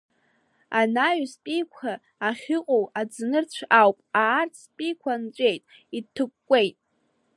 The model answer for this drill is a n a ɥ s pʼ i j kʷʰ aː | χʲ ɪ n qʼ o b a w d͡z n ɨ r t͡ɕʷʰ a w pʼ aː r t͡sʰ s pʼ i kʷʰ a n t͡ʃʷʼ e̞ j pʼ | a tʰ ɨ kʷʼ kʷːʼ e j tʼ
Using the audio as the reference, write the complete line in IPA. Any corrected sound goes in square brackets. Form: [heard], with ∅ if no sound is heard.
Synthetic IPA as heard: a n a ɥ s pʼ i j kʷʰ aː | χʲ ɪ [∅] qʼ o [w] a [∅] d͡z n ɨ r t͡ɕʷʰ a w pʼ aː r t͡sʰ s pʼ i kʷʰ a n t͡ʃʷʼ e̞ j [tʼ] | [i] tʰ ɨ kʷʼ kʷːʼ e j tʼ